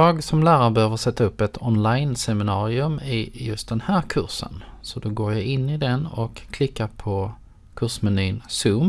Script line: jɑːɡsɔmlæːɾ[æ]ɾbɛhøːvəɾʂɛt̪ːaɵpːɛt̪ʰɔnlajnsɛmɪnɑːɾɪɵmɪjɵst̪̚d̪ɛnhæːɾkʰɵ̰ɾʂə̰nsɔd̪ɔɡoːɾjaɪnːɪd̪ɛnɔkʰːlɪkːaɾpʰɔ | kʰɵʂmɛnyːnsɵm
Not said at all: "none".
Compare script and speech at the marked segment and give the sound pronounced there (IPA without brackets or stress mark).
a